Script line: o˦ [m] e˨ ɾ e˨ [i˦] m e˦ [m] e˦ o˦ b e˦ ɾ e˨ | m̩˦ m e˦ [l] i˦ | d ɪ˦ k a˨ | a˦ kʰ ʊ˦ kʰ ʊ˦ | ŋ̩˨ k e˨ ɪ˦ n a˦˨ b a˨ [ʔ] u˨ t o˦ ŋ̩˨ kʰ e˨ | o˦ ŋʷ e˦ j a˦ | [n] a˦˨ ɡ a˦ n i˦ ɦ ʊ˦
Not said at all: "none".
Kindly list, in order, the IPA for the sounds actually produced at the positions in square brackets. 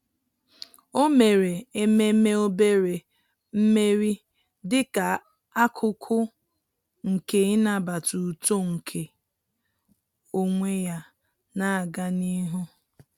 m, e˦, m, ɾ, t, n

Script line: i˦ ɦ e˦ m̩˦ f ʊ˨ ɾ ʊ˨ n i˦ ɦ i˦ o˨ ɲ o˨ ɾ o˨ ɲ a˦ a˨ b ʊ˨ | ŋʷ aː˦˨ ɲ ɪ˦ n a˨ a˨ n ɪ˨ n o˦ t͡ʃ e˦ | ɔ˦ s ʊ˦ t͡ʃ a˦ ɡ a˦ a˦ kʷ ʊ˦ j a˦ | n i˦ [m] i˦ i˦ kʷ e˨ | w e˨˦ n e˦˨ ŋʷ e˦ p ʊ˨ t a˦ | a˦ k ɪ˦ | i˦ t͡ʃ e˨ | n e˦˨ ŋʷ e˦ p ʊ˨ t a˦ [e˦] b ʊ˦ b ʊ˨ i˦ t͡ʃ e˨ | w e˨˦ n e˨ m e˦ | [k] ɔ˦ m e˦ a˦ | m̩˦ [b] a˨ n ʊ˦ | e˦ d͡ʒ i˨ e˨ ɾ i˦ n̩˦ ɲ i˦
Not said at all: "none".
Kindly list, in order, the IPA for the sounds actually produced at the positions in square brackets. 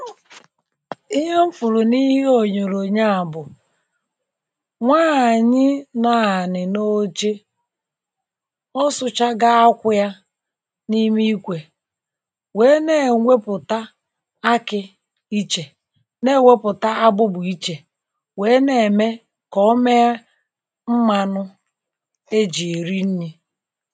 m, a˦, k, m

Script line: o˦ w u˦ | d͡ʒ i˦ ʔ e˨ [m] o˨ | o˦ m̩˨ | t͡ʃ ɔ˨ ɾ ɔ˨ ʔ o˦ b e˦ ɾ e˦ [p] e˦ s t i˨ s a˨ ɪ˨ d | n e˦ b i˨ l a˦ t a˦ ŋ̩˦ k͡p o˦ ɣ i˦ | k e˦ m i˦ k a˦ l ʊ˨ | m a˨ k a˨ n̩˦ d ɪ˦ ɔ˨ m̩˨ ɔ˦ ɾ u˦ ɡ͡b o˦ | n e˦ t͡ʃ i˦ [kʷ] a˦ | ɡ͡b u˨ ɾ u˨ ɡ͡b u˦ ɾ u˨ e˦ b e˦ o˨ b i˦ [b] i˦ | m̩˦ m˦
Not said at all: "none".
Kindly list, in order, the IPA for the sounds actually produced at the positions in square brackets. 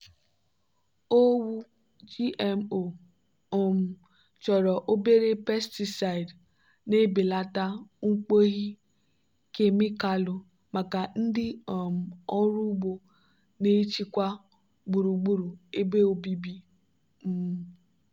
m, p, kʷ, b

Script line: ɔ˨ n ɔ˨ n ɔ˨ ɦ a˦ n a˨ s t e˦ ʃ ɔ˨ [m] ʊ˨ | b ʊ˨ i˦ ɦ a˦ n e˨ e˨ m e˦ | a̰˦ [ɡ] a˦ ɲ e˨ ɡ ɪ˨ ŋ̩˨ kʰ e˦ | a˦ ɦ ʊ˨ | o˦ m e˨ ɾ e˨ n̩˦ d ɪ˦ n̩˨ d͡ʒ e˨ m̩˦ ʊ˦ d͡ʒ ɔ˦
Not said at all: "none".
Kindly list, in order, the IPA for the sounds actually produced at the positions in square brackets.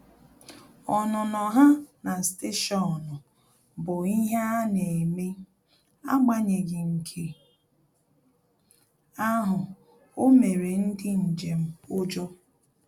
n, ɡ͡b

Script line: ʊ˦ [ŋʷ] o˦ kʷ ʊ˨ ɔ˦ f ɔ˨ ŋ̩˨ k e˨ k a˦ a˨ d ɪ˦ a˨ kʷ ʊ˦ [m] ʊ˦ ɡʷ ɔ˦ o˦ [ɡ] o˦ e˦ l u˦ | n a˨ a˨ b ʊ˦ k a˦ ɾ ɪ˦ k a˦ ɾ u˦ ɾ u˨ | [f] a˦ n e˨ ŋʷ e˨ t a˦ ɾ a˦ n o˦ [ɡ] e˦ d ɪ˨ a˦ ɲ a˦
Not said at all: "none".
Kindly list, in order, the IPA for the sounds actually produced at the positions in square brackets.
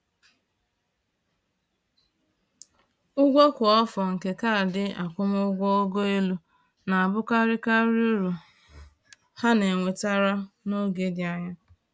ɡʷ, m, ɡ, h, ɡ

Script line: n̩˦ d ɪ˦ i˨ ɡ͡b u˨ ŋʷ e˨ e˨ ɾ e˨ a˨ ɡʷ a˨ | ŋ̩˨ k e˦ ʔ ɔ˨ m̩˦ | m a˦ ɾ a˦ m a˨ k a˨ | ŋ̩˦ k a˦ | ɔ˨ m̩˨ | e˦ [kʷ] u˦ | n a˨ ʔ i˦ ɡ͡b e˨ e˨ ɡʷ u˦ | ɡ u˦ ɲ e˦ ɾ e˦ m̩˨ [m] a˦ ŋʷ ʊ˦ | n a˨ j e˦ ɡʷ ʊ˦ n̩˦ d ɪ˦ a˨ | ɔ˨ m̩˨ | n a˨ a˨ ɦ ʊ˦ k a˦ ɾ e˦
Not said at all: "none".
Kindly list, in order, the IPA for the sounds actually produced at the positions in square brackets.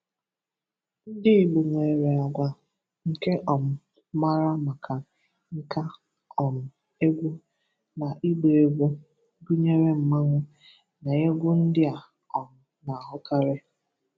ɡʷ, m

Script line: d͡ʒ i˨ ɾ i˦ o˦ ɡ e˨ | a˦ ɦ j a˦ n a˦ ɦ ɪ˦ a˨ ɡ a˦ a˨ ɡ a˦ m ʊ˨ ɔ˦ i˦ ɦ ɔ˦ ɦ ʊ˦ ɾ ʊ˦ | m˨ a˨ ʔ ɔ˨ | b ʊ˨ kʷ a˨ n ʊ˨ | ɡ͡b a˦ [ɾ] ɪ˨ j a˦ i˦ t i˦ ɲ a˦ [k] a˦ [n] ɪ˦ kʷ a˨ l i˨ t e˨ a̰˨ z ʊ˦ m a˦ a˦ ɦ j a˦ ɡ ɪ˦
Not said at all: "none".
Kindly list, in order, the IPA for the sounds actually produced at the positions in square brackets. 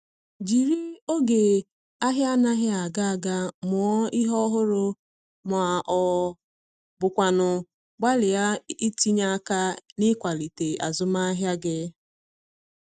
l, k, n

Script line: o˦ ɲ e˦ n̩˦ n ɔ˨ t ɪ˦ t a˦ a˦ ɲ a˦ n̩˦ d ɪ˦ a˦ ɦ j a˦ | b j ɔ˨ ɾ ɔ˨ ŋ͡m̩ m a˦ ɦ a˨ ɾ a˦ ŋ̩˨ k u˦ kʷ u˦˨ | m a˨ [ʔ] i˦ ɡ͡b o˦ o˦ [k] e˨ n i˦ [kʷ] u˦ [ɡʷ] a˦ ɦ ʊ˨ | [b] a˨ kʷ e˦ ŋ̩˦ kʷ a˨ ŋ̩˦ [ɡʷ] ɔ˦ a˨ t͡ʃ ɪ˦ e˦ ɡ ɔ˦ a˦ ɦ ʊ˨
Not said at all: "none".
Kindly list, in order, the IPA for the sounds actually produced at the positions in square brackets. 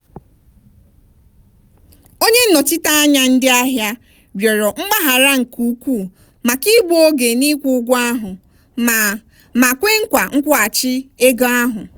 k, ɡ, kʷ, ɡʷ, m, kʷ

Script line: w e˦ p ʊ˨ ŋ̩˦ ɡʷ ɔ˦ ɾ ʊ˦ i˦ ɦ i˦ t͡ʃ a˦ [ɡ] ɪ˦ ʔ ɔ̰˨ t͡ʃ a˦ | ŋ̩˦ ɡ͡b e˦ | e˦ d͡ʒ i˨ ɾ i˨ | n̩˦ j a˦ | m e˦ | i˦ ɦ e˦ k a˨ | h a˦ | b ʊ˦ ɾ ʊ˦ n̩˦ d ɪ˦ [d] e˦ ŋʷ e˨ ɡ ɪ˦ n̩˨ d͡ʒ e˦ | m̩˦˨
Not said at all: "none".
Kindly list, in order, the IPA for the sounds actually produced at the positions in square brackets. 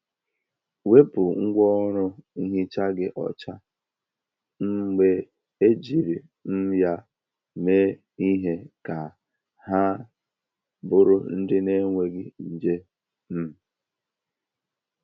ɡ, n

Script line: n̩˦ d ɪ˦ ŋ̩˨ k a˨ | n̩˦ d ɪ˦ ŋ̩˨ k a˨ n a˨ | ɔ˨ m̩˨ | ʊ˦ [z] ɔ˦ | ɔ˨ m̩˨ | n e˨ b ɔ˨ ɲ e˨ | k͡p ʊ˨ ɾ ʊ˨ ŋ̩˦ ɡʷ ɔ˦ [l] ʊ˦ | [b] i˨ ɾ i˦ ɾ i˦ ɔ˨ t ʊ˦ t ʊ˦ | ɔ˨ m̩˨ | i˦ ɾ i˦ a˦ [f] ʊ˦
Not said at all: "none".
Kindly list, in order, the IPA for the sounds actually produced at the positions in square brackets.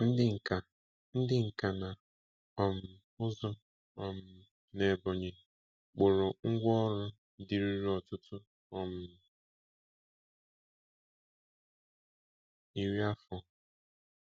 z, ɾ, d, f

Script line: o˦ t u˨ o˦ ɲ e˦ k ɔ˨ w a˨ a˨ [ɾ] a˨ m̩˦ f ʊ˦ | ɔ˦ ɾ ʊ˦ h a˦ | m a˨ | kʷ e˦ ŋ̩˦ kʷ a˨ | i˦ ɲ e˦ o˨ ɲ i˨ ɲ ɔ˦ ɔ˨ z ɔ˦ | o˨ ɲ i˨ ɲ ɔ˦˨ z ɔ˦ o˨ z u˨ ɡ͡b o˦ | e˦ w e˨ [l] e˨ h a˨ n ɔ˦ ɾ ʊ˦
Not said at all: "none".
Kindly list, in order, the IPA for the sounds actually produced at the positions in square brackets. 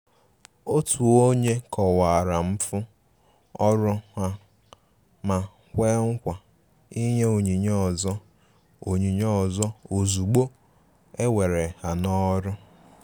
ɾ, ɾ

